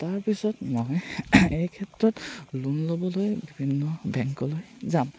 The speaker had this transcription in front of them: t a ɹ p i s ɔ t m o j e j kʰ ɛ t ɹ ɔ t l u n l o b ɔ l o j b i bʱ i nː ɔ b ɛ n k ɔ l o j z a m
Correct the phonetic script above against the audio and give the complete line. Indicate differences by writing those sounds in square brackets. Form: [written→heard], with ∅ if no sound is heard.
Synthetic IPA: t a ɹ p i s ɔ t m o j e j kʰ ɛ t ɹ ɔ t l u n l o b ɔ l o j b i bʱ i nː ɔ b ɛ [n→ŋ] k ɔ l o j z a m